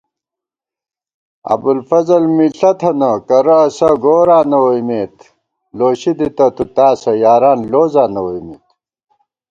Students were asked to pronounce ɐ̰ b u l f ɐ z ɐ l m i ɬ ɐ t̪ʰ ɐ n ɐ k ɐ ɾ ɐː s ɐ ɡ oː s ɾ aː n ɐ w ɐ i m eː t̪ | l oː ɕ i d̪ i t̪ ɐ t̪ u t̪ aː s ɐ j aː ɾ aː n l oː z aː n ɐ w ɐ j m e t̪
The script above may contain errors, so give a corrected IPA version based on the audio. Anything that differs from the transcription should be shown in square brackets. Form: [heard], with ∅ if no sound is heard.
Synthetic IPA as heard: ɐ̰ b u l f ɐ z ɐ l m i ɬ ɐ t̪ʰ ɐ n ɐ k ɐ ɾ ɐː s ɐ ɡ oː [∅] ɾ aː n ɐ w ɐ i m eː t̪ | l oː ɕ i d̪ i t̪ ɐ t̪ u t̪ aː s ɐ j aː ɾ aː n l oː z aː n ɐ w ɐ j m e t̪